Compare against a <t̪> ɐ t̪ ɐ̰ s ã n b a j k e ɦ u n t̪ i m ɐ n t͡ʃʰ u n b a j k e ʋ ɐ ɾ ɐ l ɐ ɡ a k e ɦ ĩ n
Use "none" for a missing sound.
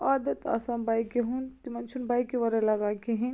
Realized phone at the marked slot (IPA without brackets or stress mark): d̪